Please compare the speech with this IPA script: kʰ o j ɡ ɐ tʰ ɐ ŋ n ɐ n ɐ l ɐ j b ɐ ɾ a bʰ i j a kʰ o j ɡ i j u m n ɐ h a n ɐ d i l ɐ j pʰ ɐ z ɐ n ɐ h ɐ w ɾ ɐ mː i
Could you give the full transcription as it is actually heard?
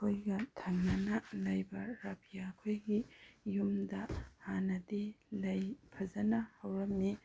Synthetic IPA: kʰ o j ɡ ɐ tʰ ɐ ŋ n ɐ n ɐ l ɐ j b ɐ ɾ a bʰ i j a kʰ o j ɡ i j u m d ɐ h a n ɐ d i l ɐ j pʰ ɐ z ɐ n ɐ h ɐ w ɾ ɐ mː i